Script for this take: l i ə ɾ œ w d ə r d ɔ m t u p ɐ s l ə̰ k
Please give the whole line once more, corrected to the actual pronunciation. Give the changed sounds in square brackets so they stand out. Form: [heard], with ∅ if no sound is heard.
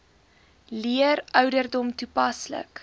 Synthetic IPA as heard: l i ə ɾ œ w d ə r d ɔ m t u p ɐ s l ə̰ k

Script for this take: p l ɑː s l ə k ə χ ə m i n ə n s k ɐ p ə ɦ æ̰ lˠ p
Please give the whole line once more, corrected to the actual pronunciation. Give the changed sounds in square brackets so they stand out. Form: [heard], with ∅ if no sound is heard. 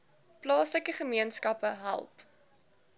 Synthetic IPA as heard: p l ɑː s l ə k ə χ ə m i [∅] ə n s k ɐ p ə ɦ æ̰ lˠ p

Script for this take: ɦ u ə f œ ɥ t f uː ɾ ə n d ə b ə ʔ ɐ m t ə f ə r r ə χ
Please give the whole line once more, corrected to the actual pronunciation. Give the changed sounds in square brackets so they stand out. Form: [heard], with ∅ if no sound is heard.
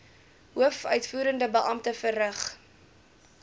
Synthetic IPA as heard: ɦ u ə f œ ɥ t f uː ɾ ə n d ə b ə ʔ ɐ m t ə f ə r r ə χ

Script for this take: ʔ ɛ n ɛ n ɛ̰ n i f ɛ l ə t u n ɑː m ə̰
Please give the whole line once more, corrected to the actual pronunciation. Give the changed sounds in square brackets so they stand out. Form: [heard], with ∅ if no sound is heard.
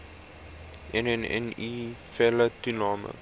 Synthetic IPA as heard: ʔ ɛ n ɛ n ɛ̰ n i f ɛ l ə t u n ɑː m ə̰

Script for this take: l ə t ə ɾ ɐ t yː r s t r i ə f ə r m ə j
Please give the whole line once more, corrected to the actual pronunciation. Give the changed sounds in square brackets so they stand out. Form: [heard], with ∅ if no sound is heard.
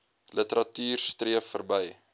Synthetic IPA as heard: l ə t ə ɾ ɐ t yː r s t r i ə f ə r [b] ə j

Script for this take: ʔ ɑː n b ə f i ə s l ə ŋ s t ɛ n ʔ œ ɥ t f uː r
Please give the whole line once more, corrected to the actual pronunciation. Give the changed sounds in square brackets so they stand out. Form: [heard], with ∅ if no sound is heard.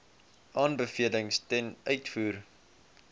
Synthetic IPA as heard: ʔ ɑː n b ə f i ə [∅] l ə ŋ s t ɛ n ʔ œ ɥ t f uː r

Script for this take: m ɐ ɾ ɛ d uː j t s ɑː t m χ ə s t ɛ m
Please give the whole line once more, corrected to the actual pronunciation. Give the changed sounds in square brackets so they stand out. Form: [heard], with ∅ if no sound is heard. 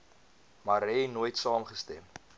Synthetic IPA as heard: m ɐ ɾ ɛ [n] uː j t s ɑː [∅] m χ ə s t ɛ m

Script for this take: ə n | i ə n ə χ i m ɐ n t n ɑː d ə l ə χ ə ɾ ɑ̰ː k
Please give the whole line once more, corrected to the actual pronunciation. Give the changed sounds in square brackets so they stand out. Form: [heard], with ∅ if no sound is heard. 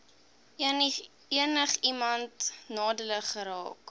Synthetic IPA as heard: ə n | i ə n ə χ i m ɐ n t n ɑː d ə l ə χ ə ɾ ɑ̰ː k

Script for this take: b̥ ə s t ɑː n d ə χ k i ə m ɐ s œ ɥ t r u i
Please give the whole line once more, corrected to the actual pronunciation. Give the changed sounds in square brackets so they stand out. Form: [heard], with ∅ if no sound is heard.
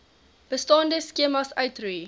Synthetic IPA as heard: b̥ ə s t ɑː n d ə [s] k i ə m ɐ s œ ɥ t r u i

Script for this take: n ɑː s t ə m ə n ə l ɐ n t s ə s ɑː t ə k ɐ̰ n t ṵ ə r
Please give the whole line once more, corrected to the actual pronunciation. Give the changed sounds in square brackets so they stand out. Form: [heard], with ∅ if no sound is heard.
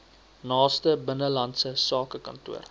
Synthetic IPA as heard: n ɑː s t ə [b] ə n ə l ɐ n t s ə s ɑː [k] ə k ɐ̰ n t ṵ ə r

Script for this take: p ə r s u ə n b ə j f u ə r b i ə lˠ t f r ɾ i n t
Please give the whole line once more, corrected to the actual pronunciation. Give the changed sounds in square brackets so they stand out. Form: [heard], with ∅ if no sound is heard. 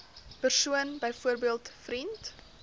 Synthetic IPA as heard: p ə r s u ə n b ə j f u ə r b i ə lˠ t f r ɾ i n t

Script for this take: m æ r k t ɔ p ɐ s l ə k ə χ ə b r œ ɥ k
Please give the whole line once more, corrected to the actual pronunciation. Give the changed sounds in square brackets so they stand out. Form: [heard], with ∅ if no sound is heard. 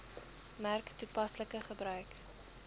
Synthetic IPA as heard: m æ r k t [u] p ɐ s l ə k ə χ ə b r œ ɥ k

